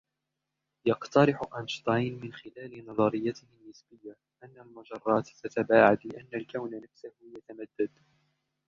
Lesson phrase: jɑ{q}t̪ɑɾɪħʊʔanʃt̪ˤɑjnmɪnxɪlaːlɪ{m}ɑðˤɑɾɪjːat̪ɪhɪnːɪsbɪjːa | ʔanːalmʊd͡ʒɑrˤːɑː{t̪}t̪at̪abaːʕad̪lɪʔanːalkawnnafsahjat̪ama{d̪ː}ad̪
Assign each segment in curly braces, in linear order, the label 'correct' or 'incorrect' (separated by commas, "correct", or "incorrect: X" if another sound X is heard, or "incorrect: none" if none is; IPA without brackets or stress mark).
correct, incorrect: n, correct, correct